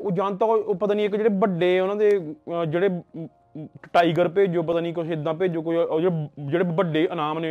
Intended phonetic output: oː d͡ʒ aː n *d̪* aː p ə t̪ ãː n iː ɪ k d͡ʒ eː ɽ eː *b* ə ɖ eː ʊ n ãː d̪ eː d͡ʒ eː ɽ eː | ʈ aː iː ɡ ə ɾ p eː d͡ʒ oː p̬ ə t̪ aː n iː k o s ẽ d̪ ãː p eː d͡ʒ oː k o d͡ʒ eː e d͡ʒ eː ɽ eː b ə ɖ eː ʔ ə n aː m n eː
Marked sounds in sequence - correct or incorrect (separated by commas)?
incorrect, correct